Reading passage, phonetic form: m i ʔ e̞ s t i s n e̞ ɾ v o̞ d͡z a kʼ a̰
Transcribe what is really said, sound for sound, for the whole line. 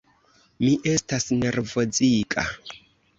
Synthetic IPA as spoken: m i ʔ e̞ s t a s n e̞ ɾ v o̞ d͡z i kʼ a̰